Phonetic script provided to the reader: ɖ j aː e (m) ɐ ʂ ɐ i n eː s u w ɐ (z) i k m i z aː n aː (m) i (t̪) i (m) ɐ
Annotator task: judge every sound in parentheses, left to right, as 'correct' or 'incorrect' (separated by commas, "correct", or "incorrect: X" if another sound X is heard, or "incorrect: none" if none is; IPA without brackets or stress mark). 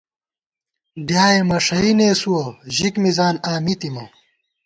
correct, incorrect: ʑ, correct, correct, correct